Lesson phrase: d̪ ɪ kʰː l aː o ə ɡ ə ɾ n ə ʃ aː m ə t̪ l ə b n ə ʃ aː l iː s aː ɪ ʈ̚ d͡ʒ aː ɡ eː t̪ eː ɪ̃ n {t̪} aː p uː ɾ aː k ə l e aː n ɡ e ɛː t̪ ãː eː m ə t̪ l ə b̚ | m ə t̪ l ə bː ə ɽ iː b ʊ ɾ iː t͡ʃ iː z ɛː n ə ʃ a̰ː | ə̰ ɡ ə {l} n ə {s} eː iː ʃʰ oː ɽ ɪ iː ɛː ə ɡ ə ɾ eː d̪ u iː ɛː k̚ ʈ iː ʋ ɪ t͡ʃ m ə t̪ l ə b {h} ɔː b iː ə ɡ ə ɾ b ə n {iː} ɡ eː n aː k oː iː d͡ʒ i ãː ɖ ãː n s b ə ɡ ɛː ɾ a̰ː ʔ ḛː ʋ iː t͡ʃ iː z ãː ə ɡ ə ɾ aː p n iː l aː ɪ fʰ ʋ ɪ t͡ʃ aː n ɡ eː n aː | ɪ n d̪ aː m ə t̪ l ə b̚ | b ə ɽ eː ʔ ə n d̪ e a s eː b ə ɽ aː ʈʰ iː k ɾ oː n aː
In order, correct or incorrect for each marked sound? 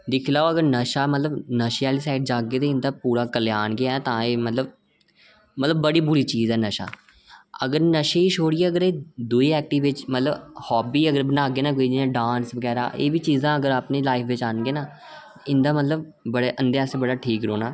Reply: incorrect: d̪, incorrect: ɾ, incorrect: ʃ, correct, incorrect: aː

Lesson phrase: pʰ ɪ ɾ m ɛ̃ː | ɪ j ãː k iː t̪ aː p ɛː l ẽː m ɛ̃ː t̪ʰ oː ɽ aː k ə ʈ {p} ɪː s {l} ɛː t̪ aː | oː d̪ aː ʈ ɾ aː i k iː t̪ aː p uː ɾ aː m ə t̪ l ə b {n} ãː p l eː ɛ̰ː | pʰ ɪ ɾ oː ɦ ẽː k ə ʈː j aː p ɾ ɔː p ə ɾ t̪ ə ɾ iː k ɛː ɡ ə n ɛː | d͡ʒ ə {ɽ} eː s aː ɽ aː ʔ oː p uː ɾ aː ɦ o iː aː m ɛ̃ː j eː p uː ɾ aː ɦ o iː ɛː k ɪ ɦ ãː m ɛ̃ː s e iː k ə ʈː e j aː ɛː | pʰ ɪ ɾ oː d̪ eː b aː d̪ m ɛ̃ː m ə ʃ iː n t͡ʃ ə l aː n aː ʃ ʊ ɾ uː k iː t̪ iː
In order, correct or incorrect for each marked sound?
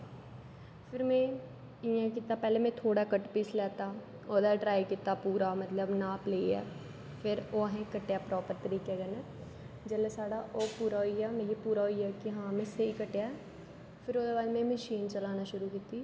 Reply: correct, correct, correct, incorrect: l

